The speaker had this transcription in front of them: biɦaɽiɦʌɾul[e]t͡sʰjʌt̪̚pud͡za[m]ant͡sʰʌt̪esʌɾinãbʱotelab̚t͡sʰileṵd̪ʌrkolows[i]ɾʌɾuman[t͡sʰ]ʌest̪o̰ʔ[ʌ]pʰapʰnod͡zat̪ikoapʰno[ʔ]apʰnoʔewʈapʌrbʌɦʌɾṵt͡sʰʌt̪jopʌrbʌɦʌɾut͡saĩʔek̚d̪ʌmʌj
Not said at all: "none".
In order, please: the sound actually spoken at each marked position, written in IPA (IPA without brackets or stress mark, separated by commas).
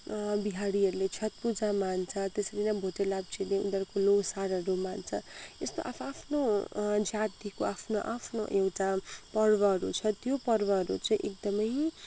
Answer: e, m, a, t͡sʰ, a, ʔ